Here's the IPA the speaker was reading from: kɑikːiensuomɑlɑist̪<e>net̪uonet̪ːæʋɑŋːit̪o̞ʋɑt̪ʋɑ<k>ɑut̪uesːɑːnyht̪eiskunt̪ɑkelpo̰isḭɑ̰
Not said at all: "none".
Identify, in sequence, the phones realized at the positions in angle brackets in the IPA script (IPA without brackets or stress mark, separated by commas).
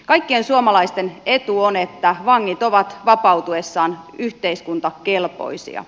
e, p